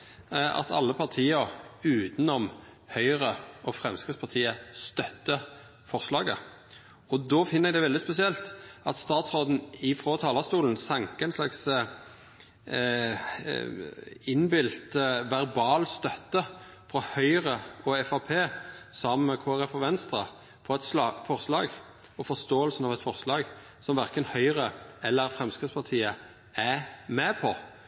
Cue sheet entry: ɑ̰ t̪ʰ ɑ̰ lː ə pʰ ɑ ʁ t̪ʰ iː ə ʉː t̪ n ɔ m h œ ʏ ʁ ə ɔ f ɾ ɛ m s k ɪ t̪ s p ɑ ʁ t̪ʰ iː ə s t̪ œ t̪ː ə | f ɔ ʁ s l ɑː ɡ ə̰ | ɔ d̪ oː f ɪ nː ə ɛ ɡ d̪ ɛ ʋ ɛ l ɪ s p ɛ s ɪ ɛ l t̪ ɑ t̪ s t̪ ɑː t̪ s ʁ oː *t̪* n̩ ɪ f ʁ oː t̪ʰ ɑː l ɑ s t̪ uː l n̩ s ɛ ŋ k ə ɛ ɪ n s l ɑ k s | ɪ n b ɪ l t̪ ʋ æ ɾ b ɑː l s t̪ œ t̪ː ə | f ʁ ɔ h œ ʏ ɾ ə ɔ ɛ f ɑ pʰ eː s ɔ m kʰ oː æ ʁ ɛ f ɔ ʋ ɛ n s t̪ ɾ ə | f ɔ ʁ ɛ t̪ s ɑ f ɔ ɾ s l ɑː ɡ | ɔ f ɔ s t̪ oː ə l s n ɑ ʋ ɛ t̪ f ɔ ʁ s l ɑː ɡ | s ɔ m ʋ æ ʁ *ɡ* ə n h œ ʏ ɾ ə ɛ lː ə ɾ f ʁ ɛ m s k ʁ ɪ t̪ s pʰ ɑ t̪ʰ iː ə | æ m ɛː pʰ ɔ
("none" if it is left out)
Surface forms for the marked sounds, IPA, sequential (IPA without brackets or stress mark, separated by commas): d̪, k